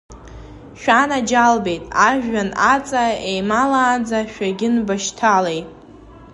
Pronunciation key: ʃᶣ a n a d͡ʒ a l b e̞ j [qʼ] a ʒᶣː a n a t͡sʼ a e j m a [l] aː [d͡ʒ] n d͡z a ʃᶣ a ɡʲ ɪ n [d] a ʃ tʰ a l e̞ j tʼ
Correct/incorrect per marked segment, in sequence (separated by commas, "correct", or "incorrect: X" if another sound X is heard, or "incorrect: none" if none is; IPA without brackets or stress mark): incorrect: tʼ, correct, incorrect: none, incorrect: b